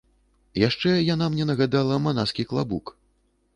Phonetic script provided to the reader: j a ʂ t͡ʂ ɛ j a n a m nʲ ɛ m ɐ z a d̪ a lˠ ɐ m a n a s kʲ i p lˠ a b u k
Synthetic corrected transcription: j a ʂ t͡ʂ ɛ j a n a m nʲ ɛ n ɐ ɣ a d̪ a lˠ ɐ m a n a s kʲ i k lˠ a b u k